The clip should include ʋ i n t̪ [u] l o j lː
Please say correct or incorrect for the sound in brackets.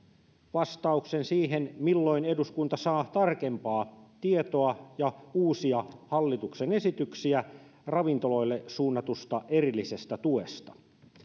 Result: incorrect